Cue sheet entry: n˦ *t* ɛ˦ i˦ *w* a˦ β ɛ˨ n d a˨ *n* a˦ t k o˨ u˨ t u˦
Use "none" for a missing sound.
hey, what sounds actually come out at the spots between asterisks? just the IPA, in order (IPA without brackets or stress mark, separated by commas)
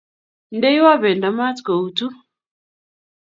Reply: d, w, m